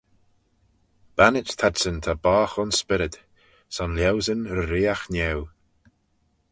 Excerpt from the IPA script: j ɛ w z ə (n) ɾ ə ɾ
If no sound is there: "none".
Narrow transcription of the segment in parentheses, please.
n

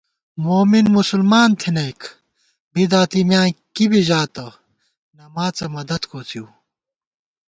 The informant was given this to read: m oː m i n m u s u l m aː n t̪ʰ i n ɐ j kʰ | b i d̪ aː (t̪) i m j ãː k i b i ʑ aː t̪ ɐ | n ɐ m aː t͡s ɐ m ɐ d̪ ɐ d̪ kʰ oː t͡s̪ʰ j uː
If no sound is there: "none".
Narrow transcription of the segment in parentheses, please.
t̪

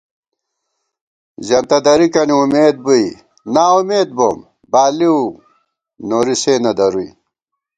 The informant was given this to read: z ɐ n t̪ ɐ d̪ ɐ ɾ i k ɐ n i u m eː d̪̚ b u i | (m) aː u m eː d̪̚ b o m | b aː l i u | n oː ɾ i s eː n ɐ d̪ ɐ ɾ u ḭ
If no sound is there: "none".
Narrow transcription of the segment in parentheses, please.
n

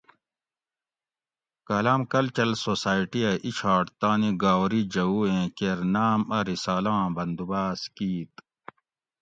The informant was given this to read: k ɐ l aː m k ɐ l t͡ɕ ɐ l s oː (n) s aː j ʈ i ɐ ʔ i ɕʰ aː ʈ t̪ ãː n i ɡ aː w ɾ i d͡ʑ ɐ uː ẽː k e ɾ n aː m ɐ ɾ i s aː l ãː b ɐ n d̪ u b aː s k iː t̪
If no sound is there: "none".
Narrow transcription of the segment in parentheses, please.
none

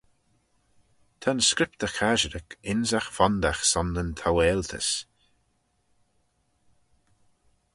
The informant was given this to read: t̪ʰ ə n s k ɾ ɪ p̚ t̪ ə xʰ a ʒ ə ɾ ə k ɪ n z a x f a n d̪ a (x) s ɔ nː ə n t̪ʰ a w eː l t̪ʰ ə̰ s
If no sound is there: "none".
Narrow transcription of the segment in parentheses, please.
x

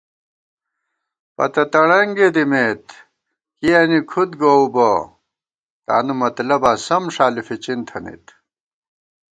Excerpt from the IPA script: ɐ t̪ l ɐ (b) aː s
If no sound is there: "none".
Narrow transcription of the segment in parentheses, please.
b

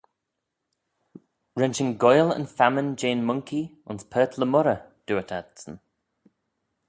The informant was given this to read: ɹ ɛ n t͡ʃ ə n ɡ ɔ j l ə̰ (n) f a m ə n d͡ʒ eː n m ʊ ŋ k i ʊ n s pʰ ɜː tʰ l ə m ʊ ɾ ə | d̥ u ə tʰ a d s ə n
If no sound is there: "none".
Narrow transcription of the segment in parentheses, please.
n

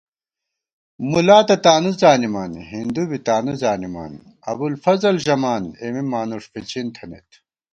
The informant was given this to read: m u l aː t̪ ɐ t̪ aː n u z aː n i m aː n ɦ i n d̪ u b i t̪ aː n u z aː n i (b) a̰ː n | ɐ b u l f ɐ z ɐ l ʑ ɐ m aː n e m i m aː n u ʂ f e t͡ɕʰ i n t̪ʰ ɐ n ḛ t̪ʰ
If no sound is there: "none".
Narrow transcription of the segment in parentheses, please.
m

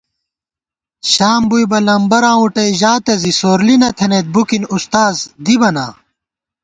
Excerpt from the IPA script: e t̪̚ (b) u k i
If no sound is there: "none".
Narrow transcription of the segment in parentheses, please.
b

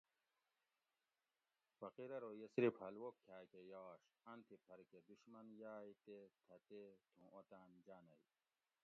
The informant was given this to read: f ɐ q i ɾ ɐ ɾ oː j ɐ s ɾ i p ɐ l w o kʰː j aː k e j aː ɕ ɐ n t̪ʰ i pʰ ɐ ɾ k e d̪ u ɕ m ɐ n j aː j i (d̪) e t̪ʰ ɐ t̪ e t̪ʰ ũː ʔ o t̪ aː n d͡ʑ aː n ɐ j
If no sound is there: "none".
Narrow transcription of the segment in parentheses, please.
t̪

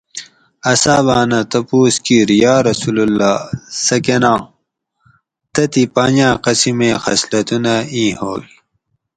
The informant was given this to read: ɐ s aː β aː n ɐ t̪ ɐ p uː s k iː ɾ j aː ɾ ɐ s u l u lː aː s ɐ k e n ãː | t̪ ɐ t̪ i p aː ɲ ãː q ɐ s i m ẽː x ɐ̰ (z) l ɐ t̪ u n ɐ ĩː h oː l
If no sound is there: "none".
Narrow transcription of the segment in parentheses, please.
s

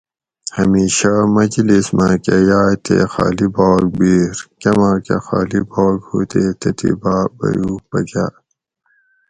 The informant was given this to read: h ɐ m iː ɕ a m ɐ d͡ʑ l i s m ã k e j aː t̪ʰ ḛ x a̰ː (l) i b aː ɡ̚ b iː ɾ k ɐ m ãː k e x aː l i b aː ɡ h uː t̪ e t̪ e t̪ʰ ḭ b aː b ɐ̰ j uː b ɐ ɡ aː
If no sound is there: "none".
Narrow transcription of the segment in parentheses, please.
l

